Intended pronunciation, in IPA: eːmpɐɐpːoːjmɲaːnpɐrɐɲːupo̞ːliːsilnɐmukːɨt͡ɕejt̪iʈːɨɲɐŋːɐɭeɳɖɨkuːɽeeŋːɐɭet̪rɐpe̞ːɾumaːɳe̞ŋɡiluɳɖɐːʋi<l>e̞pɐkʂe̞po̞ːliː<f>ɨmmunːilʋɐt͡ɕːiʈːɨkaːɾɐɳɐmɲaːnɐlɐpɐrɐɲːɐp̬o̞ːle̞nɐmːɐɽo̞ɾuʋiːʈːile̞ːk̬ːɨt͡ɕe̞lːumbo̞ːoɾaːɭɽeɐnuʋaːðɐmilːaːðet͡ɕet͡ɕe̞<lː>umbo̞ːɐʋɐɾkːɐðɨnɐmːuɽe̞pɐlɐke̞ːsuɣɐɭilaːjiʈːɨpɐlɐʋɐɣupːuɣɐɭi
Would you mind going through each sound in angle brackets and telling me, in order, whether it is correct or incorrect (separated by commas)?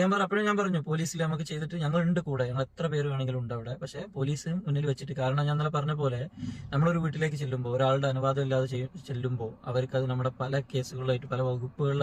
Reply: incorrect, incorrect, correct